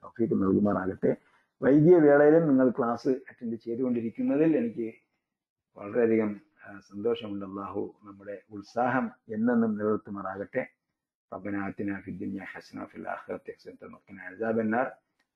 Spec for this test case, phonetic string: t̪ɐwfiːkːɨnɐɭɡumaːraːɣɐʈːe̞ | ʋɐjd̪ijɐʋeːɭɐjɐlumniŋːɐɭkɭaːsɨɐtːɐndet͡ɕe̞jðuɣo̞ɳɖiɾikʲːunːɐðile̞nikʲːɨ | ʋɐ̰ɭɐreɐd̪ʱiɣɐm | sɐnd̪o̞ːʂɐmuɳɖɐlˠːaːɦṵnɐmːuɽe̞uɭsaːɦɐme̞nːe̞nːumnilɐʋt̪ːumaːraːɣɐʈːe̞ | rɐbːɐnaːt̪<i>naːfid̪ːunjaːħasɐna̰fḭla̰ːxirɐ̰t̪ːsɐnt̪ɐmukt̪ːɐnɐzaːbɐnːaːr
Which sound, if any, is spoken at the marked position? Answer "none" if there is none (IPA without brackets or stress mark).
i